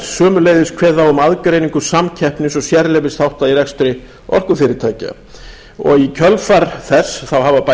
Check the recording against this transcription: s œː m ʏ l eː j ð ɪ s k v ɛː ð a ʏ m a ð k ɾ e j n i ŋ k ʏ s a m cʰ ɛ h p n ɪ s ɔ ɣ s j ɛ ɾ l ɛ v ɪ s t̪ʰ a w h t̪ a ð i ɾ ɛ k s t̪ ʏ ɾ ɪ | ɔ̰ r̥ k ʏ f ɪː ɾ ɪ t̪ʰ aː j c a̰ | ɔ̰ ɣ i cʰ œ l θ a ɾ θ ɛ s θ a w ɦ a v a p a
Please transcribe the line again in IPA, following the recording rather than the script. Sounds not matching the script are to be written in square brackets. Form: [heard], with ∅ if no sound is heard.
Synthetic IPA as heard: s œː m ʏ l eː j ð ɪ s [kʰ] v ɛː ð a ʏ m a ð k ɾ e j n i ŋ k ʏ s a m cʰ ɛ h p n ɪ s ɔ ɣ s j ɛ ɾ l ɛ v ɪ s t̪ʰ a w h t̪ a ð i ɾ ɛ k s t̪ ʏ ɾ ɪ | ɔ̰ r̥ k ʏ f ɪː ɾ ɪ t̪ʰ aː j c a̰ | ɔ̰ ɣ i cʰ œ l [f] a ɾ θ ɛ s θ a w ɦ a v a p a